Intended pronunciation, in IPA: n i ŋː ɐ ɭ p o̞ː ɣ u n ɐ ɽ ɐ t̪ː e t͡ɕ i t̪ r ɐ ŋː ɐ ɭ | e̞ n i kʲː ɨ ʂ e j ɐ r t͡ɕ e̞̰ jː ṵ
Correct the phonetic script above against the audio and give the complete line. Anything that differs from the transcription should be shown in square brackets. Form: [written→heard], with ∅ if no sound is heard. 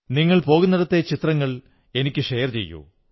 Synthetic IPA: n i ŋː ɐ ɭ p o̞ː ɣ u [n→nː] ɐ ɽ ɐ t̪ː e t͡ɕ i t̪ r ɐ ŋː ɐ ɭ | e̞ n i kʲː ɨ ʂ e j ɐ r t͡ɕ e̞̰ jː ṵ